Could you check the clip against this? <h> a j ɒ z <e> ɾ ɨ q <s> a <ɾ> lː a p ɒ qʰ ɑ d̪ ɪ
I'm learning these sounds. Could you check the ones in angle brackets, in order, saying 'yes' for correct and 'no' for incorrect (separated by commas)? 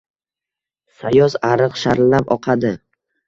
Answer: no, no, no, yes